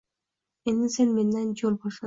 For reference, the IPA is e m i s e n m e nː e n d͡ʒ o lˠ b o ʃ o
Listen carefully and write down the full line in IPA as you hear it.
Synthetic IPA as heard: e n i s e n m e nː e n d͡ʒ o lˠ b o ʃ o